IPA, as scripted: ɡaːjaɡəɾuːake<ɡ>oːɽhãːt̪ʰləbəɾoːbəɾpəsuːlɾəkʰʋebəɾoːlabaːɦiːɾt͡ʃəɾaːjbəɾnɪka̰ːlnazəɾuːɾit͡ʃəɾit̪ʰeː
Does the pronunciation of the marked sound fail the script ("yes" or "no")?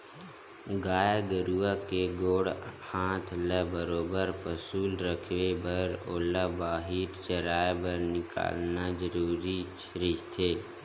no